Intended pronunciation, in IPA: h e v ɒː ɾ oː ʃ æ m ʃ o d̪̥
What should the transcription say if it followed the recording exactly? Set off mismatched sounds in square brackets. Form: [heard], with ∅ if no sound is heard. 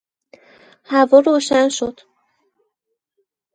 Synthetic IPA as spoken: h [æ] v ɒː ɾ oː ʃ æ [n] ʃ o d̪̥